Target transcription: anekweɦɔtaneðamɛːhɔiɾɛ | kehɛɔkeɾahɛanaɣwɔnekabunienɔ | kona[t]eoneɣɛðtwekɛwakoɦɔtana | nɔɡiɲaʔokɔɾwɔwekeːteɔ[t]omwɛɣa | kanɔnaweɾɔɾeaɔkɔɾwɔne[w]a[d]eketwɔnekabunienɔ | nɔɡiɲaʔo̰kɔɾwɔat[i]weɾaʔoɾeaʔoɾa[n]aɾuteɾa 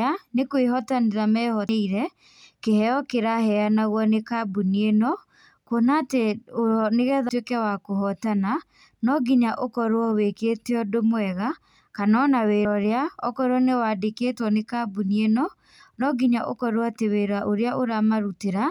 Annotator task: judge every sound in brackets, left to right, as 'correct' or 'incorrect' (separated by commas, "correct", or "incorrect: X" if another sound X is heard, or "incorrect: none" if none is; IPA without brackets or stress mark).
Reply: correct, incorrect: d, correct, correct, incorrect: e, incorrect: m